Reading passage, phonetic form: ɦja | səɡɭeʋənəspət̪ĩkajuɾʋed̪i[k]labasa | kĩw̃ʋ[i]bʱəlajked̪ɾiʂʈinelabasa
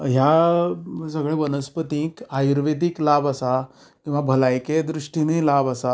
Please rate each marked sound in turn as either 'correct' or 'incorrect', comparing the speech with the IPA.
correct, incorrect: a

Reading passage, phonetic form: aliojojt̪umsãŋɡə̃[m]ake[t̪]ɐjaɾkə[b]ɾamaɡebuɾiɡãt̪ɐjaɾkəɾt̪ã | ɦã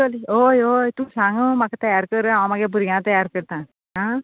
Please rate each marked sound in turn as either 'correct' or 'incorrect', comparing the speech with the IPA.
correct, correct, incorrect: none

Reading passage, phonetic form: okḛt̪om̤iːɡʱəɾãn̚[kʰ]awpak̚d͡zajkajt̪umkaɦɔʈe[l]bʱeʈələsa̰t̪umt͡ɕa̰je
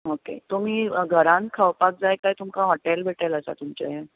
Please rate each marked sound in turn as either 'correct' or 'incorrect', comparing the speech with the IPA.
correct, correct

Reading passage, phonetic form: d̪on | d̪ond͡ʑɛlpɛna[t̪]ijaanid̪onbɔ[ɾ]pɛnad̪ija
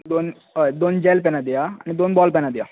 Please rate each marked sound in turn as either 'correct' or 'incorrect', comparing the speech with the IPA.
incorrect: d̪, incorrect: l

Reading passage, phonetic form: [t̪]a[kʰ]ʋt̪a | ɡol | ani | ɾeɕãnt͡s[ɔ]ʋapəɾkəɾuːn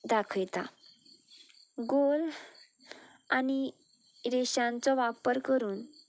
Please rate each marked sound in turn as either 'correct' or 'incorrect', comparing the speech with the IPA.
incorrect: d̪, correct, correct

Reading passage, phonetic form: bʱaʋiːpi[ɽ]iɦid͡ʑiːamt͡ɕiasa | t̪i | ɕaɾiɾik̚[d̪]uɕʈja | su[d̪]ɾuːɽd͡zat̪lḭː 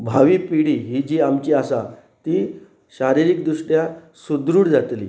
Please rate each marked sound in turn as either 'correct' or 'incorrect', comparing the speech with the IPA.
correct, correct, correct

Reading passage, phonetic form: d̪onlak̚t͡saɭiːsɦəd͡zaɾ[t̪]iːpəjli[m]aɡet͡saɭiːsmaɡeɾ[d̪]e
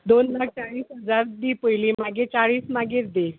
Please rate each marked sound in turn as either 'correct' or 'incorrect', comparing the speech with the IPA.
incorrect: d̪, correct, correct

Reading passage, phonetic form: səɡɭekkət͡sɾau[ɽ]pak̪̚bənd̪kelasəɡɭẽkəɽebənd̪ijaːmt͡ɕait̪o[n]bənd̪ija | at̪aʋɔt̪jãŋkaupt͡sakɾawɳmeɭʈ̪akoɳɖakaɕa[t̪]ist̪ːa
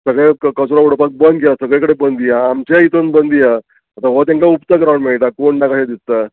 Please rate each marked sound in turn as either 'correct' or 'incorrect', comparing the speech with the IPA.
correct, correct, incorrect: d̪

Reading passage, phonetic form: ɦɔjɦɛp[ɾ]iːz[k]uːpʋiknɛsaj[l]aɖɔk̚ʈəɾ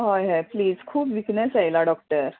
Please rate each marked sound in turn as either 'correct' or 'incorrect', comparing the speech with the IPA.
incorrect: l, incorrect: kʰ, correct

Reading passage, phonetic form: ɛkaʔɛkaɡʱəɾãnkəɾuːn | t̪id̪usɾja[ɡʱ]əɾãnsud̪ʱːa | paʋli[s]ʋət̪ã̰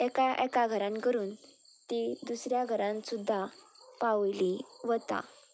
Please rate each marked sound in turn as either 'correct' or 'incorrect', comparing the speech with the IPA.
correct, incorrect: none

